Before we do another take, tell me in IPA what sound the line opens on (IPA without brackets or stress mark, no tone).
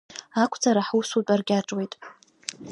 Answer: a